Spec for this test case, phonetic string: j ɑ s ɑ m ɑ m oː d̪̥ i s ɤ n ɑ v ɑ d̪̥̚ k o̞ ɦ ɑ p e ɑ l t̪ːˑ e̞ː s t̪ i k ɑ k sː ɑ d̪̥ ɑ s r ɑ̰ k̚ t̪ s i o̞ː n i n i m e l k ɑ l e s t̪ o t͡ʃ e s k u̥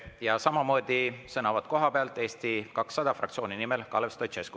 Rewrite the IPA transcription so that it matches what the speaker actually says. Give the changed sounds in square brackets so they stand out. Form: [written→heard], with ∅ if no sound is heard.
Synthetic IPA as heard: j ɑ s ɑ m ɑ m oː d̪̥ i s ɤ n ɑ v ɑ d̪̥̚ k o̞ ɦ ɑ p e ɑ l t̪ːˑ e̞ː s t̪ i k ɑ k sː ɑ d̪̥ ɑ [s→f] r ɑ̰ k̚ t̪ s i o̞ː n i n i m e l k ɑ l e s t̪ o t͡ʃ e s k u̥